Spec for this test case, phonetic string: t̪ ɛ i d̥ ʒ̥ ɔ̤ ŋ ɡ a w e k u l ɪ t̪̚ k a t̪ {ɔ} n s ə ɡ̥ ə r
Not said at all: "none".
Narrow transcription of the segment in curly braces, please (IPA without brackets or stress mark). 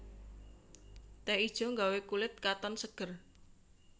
ɔ